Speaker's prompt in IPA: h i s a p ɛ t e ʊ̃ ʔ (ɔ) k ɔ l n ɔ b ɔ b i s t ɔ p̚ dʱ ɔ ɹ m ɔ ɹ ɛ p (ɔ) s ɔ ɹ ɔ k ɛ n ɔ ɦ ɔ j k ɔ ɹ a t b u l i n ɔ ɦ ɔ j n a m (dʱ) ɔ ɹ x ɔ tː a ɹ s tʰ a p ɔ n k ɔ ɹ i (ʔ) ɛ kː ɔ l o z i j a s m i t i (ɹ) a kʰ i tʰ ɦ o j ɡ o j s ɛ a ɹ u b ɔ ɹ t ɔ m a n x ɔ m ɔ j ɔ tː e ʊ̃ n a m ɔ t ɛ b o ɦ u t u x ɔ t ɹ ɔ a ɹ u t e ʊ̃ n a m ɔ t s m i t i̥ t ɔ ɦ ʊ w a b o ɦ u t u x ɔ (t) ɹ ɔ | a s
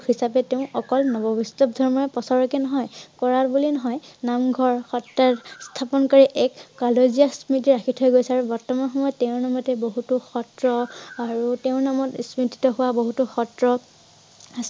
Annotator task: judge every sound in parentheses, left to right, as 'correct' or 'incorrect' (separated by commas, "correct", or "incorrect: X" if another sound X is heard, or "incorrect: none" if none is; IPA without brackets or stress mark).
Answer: correct, correct, incorrect: ɡʱ, correct, correct, correct